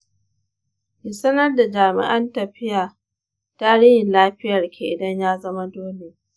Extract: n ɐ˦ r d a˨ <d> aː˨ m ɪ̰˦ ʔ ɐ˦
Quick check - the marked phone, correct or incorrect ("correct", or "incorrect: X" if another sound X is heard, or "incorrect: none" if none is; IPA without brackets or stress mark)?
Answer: incorrect: d͡ʒ